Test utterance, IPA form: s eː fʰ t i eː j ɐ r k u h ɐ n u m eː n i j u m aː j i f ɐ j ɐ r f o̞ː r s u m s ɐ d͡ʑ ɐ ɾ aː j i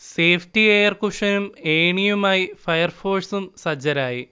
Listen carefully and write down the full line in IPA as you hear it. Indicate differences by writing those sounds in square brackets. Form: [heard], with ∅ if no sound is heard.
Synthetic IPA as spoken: s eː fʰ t i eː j ɐ r k u [ʂ] ɐ n u m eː [ɳ] i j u m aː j i f ɐ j ɐ r f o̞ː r s u m s ɐ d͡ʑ ɐ ɾ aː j i